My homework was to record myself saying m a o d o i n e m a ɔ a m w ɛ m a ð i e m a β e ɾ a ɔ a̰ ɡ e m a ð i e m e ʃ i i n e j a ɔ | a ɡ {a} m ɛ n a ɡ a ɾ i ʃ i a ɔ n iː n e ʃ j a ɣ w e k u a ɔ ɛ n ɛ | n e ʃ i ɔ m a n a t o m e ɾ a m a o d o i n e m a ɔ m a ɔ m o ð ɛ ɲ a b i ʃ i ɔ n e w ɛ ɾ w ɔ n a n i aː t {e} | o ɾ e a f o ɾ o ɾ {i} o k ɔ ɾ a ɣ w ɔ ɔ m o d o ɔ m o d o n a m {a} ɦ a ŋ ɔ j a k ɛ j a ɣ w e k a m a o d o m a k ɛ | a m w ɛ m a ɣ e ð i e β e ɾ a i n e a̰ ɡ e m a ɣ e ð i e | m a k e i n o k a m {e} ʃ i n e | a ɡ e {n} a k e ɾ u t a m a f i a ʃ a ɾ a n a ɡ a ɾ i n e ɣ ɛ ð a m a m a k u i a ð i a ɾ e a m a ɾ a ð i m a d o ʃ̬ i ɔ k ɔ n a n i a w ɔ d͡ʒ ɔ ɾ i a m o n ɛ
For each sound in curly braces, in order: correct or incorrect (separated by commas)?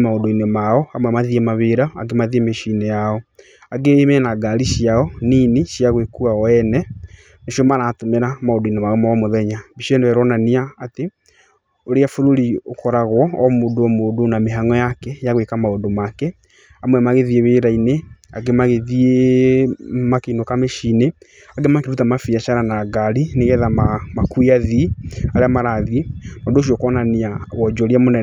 incorrect, correct, correct, incorrect, correct, incorrect